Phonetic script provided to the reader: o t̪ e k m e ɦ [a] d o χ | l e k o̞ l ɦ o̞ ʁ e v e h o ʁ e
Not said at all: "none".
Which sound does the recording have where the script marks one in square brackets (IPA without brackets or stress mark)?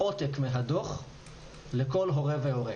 a